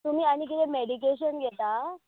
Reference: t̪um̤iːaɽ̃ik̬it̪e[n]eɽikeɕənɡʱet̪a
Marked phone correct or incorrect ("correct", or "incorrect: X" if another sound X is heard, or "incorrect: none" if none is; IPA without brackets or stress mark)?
incorrect: m